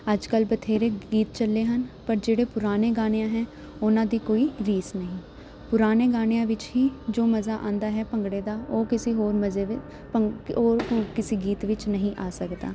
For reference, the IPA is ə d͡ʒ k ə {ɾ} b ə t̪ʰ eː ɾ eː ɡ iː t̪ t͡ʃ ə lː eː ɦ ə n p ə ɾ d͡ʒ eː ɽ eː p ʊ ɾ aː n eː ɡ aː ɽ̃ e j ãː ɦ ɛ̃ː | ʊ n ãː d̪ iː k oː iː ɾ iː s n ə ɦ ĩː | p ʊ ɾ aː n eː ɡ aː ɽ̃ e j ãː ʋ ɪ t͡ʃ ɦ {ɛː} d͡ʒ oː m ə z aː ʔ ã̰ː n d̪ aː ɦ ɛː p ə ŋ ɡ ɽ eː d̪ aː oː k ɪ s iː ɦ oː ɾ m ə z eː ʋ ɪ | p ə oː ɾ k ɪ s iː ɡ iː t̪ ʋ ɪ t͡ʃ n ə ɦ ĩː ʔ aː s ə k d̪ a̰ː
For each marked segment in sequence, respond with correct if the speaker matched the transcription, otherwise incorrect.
incorrect: l, incorrect: iː

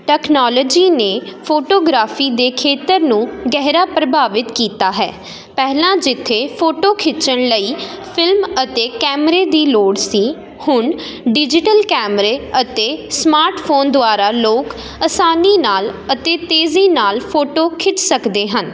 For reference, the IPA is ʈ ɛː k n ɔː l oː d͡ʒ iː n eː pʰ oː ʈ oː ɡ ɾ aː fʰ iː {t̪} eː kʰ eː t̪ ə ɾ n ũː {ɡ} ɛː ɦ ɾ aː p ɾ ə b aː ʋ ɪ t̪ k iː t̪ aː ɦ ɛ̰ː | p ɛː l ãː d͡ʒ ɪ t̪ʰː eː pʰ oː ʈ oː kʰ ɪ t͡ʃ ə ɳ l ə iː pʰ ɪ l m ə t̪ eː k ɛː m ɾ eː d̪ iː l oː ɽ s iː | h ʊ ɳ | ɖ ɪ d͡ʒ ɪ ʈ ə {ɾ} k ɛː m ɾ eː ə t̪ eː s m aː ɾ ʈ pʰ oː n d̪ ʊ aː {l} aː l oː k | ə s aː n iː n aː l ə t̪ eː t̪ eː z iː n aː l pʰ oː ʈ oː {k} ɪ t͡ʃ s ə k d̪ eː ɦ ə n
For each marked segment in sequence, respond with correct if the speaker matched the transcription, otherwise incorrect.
incorrect: d̪, correct, incorrect: l, incorrect: ɾ, incorrect: kʰ

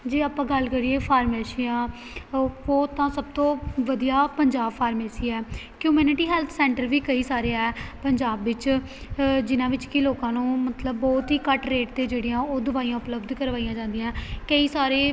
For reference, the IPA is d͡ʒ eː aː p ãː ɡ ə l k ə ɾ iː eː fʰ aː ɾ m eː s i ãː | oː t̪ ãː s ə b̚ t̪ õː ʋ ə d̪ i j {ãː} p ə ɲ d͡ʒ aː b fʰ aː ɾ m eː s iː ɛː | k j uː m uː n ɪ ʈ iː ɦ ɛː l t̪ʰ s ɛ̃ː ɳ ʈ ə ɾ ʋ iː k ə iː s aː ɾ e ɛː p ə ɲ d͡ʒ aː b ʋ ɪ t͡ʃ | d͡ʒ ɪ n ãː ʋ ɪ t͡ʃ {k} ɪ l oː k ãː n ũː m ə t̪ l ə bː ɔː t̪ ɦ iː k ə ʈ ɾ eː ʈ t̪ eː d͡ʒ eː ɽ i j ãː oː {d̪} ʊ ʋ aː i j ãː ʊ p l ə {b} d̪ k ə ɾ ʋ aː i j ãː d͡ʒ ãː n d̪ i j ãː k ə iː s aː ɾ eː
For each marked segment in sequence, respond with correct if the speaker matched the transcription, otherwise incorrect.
incorrect: aː, correct, correct, correct

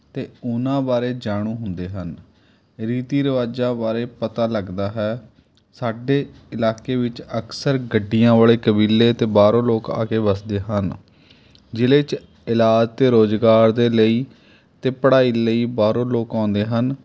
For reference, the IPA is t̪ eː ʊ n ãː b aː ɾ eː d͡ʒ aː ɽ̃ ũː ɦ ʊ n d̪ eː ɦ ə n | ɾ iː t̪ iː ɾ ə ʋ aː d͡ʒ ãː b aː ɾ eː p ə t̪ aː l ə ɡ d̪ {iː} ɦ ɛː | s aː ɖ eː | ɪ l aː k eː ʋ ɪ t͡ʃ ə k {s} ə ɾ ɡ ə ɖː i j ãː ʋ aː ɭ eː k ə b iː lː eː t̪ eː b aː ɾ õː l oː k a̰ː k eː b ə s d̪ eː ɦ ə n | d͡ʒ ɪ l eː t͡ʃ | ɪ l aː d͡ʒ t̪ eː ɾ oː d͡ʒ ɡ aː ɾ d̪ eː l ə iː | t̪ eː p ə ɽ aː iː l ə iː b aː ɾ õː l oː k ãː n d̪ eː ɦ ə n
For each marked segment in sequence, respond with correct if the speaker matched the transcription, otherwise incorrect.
incorrect: aː, correct

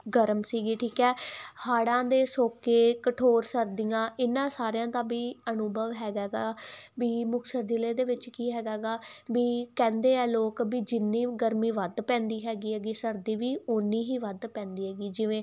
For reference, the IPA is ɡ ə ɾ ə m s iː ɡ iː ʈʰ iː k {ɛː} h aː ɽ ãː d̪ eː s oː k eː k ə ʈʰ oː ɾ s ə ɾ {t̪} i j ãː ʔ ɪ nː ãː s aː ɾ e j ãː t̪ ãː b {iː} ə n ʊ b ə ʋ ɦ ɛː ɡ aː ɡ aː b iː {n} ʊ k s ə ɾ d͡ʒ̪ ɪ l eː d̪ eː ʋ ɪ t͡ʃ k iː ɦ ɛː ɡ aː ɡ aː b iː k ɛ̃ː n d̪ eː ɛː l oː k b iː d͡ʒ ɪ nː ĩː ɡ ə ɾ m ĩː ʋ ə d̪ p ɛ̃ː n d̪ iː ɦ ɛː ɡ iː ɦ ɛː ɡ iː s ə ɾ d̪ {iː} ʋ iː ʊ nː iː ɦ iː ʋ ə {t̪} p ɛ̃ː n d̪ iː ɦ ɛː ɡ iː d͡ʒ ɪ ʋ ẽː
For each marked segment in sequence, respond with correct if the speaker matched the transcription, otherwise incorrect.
correct, incorrect: d̪, correct, incorrect: m, correct, incorrect: d̪

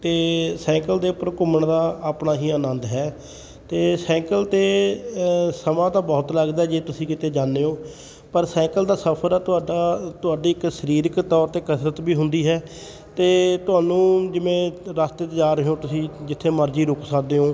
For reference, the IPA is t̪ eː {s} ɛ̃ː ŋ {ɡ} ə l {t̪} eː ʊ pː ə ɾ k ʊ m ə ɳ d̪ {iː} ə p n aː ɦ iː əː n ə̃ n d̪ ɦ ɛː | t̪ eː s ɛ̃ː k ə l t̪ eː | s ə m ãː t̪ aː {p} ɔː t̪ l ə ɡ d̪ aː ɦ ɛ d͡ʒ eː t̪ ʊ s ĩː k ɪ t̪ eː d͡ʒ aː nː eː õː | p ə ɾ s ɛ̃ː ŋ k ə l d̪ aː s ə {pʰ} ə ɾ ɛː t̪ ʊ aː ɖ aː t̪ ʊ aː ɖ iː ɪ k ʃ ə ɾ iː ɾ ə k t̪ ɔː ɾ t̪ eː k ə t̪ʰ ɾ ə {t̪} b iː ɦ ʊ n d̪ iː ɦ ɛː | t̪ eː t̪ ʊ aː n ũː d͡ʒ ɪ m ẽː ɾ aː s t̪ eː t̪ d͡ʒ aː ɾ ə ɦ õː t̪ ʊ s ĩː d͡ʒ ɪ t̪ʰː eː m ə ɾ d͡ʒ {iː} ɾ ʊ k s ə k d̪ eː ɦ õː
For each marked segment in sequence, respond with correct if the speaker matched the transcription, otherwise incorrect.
correct, incorrect: k, incorrect: d̪, incorrect: aː, incorrect: b, correct, correct, correct

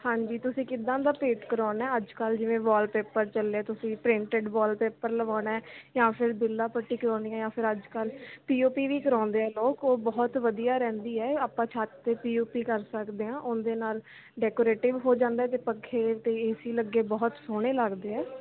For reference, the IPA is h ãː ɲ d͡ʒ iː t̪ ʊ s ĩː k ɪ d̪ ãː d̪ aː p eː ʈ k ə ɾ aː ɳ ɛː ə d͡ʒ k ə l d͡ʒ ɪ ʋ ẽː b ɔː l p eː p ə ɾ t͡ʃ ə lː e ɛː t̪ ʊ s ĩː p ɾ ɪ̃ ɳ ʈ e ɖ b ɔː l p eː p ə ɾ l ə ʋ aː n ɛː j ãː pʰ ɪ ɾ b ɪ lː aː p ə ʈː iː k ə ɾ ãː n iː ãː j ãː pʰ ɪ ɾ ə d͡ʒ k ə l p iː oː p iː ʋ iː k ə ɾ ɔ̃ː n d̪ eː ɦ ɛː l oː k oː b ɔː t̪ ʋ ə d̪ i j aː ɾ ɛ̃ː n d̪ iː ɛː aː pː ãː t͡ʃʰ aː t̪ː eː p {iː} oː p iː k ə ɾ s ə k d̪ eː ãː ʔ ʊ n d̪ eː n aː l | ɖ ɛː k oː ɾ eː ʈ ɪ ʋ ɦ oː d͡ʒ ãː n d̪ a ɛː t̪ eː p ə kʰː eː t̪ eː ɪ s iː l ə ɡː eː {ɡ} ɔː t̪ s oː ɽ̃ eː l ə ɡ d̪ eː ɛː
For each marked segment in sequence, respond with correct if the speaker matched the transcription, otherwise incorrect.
correct, incorrect: b

